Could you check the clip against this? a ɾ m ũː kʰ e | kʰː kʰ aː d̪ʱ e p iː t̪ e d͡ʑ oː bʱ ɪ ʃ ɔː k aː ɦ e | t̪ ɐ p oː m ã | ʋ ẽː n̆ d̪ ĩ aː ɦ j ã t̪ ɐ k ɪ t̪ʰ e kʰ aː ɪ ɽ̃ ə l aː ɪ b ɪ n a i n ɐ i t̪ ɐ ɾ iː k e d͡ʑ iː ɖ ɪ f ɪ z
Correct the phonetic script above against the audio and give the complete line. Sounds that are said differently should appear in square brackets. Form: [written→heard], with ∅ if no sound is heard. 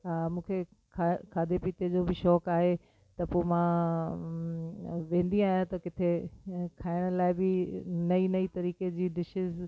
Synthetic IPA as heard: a [ɾ→∅] m ũː kʰ e | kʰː kʰ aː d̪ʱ e p iː t̪ e d͡ʑ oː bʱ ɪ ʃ ɔː k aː ɦ e | t̪ ɐ p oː m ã | ʋ ẽː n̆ d̪ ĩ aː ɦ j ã t̪ ɐ k ɪ t̪ʰ e kʰ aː ɪ ɽ̃ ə l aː ɪ b ɪ n [a→ɐ] i n ɐ i t̪ ɐ ɾ iː k e d͡ʑ iː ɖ ɪ [f→ʃ] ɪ z